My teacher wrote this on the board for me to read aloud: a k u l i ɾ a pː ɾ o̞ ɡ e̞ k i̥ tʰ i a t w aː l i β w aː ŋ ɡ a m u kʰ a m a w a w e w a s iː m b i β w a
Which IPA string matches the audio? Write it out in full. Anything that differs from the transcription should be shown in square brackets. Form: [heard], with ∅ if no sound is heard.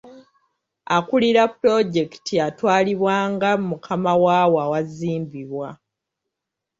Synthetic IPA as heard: a k u l i ɾ a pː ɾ o̞ [ɟ] e̞ k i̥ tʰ i a t w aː l i β w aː ŋ ɡ a m u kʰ a m a w a w [a] w a [z] iː m b i β w a